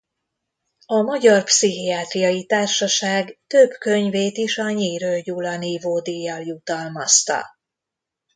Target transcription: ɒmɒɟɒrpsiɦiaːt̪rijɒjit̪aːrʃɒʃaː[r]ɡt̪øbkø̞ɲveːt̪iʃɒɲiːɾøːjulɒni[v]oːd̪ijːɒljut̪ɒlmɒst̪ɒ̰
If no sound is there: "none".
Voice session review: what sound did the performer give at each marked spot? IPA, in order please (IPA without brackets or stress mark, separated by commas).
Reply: none, v